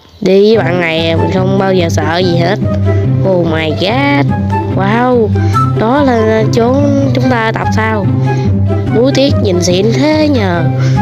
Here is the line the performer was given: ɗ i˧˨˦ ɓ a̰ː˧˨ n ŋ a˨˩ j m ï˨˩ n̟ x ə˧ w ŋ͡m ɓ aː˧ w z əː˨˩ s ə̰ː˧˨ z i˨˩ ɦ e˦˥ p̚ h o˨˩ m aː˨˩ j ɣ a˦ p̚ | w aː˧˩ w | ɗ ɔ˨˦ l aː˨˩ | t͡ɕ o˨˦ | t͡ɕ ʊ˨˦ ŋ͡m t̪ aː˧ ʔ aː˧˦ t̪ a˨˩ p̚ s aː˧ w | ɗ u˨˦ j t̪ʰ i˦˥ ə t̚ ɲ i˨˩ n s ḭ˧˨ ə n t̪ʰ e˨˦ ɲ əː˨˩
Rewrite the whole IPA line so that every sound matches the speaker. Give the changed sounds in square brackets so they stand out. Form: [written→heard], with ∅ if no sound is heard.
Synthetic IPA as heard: ɗ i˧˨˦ ɓ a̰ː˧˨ n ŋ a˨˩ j m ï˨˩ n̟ x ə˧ w ŋ͡m ɓ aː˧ w z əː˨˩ s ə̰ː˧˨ z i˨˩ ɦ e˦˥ [p̚→t̚] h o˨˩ m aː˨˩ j ɣ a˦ [p̚→t̚] | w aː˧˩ w | ɗ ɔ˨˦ l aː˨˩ | t͡ɕ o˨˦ | t͡ɕ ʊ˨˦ ŋ͡m t̪ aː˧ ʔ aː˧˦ t̪ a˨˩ p̚ s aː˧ w | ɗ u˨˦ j [t̪ʰ→t̪] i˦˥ ə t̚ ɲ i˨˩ n s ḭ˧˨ ə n t̪ʰ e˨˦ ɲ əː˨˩

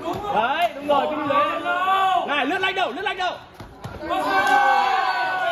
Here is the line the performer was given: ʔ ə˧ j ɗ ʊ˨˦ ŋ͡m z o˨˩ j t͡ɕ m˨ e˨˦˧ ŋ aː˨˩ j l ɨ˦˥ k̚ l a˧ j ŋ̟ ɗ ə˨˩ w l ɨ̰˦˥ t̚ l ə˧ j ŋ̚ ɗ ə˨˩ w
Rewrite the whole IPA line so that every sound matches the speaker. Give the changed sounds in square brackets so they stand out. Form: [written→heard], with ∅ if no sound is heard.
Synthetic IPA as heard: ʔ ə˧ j ɗ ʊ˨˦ ŋ͡m z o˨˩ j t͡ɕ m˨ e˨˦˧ ŋ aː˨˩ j l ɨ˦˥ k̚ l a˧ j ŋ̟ ɗ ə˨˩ w l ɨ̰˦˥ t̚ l [ə˧→a˧] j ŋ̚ ɗ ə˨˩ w

